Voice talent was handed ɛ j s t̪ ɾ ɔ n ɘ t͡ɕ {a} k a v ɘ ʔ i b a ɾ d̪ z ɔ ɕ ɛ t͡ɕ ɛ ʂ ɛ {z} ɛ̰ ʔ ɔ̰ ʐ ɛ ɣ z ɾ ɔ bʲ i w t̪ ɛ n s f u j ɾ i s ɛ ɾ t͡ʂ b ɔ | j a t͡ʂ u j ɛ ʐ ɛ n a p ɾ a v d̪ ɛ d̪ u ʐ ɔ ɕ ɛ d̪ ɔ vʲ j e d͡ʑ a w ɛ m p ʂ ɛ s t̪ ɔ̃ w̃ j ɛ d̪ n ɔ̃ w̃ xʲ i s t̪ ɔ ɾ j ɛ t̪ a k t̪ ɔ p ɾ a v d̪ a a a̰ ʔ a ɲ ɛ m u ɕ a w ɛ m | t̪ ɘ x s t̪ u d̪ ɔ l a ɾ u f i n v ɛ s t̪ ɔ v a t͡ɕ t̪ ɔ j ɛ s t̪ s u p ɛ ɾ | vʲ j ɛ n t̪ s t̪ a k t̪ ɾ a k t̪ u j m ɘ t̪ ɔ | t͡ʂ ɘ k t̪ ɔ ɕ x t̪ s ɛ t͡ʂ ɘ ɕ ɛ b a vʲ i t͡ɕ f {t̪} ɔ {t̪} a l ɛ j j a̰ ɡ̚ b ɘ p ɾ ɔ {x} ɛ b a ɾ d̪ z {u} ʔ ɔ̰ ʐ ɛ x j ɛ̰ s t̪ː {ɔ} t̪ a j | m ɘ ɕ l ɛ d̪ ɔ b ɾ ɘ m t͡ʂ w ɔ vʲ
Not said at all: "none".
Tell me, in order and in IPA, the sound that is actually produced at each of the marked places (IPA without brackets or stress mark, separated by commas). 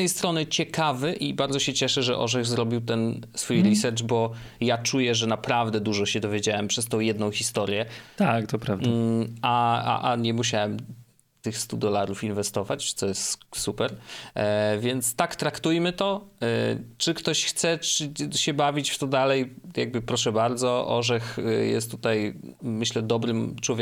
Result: ɛ, ʐ, t̪, d̪, ʂ, ɔ, u